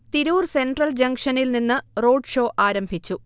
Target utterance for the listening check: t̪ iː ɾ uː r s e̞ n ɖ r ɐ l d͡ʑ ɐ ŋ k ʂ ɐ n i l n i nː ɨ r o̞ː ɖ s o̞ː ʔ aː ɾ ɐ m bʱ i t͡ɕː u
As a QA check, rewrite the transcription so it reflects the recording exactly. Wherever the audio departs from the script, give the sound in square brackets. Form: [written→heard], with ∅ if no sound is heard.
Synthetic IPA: t̪ [iː→i] ɾ uː r s e̞ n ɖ r ɐ l d͡ʑ ɐ ŋ k ʂ ɐ n i l n i nː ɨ r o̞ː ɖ [s→ʂ] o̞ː ʔ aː ɾ ɐ m bʱ i t͡ɕː u

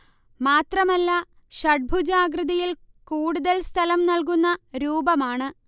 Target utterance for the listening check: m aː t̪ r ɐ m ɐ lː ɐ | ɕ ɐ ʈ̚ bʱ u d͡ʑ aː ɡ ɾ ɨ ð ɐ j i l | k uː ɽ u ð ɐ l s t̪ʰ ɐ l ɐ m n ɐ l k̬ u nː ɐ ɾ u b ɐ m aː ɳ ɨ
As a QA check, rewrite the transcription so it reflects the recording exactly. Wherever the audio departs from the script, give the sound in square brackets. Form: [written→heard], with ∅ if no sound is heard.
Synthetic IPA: m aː t̪ r ɐ m ɐ lː ɐ | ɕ ɐ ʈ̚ bʱ u d͡ʑ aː ɡ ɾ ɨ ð ɐ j i l | k uː ɽ u ð ɐ l s t̪ʰ ɐ l ɐ m n ɐ l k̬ u nː ɐ ɾ [u→uː] b ɐ m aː ɳ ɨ

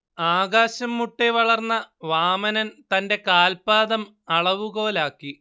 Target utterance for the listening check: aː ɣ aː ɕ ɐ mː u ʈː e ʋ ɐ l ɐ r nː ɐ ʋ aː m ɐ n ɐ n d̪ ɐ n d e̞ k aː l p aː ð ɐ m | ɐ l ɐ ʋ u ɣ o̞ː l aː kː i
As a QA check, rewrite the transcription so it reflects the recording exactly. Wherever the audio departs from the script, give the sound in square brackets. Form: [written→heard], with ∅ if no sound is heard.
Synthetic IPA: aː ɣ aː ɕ ɐ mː u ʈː e ʋ ɐ [l→ɭ] ɐ r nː ɐ ʋ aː m ɐ n ɐ n [d̪→t̪] ɐ n d e̞ k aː l p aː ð ɐ m | ɐ [l→ɭ] ɐ ʋ u ɣ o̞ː l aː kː i

